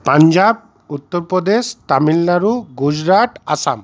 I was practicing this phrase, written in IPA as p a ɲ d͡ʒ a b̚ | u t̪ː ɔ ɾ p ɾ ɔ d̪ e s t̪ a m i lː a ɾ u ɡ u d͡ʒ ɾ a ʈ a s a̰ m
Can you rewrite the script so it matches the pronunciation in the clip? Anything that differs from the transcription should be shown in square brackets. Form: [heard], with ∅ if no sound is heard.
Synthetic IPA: p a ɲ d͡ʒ a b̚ | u t̪ː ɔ ɾ p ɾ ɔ d̪ e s t̪ a m i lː a ɾ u ɡ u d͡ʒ ɾ a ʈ a s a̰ m

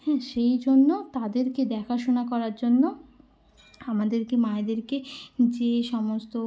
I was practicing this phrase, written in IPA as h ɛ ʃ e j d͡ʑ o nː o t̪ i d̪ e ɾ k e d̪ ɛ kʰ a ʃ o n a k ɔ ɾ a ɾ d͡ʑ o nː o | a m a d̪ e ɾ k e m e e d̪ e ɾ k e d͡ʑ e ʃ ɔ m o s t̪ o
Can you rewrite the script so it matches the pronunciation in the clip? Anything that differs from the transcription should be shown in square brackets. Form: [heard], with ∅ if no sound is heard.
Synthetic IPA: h ɛ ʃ e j d͡ʑ o nː o t̪ [a] d̪ e ɾ k e d̪ ɛ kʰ a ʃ o n a k ɔ ɾ a ɾ d͡ʑ o nː o | a m a d̪ e ɾ k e m [a] e d̪ e ɾ k e d͡ʑ e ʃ ɔ m o s t̪ o

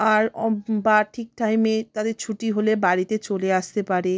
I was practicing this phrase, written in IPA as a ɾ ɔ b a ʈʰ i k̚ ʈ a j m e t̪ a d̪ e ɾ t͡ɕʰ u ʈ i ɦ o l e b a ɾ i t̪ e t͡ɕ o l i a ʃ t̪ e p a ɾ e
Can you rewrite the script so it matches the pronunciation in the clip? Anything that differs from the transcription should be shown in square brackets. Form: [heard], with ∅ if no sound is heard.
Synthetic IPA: a ɾ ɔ b a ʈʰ i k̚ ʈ a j m e t̪ a d̪ e ɾ t͡ɕʰ u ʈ i ɦ o l e b a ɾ i t̪ e t͡ɕ o l [e] a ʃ t̪ e p a ɾ e

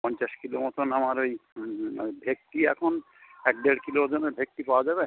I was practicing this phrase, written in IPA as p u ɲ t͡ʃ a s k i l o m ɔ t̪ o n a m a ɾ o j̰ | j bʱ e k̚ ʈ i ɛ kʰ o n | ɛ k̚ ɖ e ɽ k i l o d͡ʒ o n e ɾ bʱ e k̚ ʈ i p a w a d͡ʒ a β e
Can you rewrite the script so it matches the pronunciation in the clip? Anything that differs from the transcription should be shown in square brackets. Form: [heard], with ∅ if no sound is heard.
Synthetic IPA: p [ɔ] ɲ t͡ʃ a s k i l o m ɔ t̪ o n a m a ɾ o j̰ | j bʱ e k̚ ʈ i ɛ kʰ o n | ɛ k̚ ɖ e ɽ k i l o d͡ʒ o n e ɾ bʱ e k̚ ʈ i p a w a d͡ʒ a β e

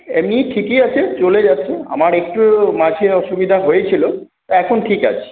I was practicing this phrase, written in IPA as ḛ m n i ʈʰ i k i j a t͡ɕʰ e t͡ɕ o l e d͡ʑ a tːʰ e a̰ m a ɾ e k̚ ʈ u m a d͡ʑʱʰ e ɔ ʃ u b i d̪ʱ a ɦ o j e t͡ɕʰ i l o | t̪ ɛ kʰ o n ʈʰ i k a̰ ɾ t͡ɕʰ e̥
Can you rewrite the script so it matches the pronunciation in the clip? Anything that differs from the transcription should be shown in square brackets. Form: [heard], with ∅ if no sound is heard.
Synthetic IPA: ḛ m n i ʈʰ i k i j a t͡ɕʰ e t͡ɕ o l e d͡ʑ a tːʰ e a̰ m a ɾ e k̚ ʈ u m a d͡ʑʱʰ e ɔ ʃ u b i d̪ʱ a ɦ o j e t͡ɕʰ i l o | t̪ ɛ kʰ o n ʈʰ i k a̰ [∅] t͡ɕʰ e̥

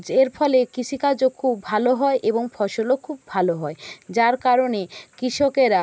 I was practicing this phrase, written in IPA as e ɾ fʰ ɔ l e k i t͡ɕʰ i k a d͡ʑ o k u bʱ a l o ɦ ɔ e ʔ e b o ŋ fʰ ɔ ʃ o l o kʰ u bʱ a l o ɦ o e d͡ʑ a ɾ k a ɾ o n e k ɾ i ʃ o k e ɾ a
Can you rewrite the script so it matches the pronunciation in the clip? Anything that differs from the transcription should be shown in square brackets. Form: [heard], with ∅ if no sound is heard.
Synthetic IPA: e ɾ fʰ ɔ l e k i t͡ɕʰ i k a d͡ʑ o [kʰ] u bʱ a l o ɦ ɔ e ʔ e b o ŋ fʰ ɔ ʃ o l o kʰ u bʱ a l o ɦ [ɔ] e d͡ʑ a ɾ k a ɾ o n e k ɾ i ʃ o k e ɾ a

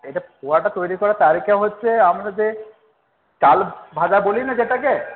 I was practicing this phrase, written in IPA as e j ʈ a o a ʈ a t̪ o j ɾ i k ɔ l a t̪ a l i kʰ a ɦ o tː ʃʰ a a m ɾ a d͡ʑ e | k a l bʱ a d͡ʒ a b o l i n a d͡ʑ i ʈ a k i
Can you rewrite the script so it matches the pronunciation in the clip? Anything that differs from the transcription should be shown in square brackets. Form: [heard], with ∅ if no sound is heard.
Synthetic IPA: e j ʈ a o a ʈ a t̪ o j ɾ i k ɔ [ɾ] a t̪ a [ɾ] i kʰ a ɦ o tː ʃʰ [e] a m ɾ a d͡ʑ e | k a l bʱ a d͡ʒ a b o l i n a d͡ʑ [e] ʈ a k [e]

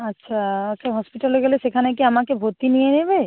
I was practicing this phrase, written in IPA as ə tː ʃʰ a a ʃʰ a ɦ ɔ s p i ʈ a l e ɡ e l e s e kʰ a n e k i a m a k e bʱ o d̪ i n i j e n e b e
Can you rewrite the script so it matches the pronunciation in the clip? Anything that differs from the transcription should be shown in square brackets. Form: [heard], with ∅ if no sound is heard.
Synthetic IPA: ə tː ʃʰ a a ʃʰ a ɦ ɔ s p i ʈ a l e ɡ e l e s e kʰ a n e k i a m a k e bʱ o [t̪] i n i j e n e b e

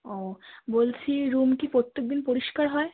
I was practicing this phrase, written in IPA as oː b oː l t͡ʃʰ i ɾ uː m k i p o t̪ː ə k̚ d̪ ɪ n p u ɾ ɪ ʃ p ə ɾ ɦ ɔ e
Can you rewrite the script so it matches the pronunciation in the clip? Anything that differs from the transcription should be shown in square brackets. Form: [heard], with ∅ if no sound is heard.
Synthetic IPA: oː b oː l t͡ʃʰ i ɾ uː m k i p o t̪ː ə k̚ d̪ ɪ n p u ɾ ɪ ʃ [k] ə ɾ ɦ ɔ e

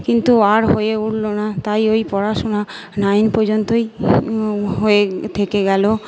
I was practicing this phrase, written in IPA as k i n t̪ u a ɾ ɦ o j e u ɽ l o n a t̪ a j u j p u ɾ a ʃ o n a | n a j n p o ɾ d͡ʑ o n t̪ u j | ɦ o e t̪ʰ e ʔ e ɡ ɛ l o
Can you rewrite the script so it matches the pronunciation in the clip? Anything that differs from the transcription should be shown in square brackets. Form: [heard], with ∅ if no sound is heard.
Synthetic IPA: k i n t̪ u a ɾ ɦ o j e u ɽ l o n a t̪ a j [o] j p [ɔ] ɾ a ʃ o n a | n a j n p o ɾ d͡ʑ o n t̪ [o] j | ɦ o e t̪ʰ e [k] e ɡ ɛ l o

